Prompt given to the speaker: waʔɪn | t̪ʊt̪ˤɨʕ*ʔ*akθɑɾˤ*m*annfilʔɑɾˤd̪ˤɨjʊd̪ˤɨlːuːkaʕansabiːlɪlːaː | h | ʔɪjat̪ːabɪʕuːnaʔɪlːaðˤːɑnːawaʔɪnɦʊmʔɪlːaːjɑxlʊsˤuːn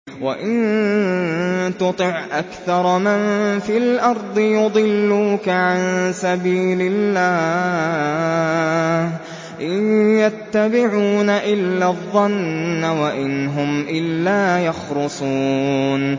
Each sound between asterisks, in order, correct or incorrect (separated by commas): correct, correct